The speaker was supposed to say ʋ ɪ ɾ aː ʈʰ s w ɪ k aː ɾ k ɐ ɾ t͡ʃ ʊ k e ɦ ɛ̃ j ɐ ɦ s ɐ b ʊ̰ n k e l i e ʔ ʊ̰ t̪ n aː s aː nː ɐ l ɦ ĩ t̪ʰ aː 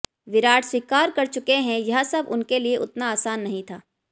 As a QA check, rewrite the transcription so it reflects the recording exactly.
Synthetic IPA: ʋ ɪ ɾ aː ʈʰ s w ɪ k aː ɾ k ɐ ɾ t͡ʃ ʊ k e ɦ ɛ̃ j ɐ ɦ s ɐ b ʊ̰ n k e l i e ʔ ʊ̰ t̪ n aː s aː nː ɐ ɦ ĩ t̪ʰ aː